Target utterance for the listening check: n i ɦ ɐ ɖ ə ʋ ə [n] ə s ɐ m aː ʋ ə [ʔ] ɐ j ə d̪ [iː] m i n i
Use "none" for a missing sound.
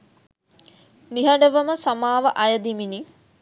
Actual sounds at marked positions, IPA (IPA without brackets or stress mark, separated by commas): m, ʔ, i